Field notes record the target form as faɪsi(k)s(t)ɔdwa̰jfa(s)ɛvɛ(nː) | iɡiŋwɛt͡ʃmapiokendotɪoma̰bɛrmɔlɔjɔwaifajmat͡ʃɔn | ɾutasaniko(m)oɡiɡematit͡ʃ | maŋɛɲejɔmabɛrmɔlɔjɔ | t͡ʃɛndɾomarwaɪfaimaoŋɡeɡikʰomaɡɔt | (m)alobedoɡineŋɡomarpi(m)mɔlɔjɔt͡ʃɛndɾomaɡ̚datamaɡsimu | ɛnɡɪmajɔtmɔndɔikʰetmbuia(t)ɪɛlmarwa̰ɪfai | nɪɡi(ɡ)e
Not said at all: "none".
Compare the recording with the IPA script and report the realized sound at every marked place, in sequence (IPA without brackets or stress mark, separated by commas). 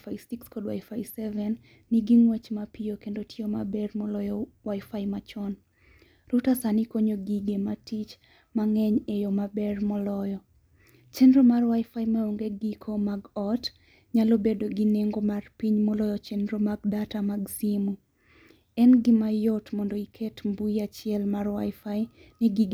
k, k, s, nː, ɲ, ɲ, ɲ, t͡ʃ, ɡ